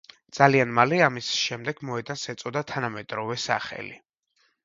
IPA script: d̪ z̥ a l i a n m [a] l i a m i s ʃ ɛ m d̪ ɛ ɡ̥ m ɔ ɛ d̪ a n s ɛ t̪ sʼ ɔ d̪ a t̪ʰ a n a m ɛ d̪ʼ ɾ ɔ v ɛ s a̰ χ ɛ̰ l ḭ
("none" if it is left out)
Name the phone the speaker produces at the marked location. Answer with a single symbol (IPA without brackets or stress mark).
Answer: a